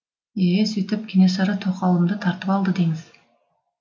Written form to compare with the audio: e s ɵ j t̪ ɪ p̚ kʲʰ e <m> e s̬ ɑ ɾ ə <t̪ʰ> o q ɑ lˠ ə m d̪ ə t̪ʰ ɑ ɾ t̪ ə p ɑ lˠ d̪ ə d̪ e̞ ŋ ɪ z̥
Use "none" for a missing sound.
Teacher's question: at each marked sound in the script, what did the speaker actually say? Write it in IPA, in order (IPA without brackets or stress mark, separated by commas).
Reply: n, t̪ʰ